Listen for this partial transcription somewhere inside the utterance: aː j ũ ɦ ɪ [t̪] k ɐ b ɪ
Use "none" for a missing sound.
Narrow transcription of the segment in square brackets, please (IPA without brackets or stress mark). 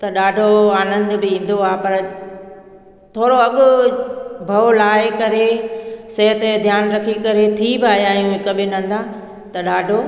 none